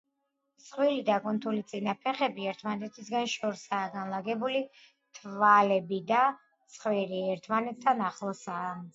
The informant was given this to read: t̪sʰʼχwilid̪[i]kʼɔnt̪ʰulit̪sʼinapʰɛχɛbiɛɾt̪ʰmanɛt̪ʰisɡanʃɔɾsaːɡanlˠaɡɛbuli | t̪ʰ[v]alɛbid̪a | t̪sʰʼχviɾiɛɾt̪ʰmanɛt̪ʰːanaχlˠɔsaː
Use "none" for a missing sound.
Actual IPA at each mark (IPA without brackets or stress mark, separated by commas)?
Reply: a, v